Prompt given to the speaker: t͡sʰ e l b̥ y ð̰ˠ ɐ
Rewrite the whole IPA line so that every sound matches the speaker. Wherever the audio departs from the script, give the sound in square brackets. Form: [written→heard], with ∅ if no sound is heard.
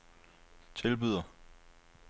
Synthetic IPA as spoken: t͡sʰ e l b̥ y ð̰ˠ ɐ